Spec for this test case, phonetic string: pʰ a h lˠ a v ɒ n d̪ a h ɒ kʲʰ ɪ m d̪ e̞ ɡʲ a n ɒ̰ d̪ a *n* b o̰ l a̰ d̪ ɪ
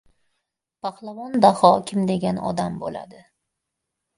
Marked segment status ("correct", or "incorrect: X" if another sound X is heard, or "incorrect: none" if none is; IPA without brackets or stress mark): incorrect: m